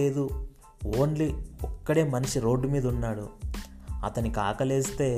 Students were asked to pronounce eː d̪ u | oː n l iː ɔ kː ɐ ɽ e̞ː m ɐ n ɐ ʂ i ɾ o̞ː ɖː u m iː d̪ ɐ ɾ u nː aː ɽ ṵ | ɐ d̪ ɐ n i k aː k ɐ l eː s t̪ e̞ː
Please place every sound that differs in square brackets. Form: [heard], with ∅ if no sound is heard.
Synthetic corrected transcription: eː d̪ u | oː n l [i] ɔ kː ɐ ɽ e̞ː m ɐ n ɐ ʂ i ɾ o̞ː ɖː u m iː d̪ ɐ [∅] u nː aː ɽ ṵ | ɐ [t̪] ɐ n i k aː k ɐ l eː s t̪ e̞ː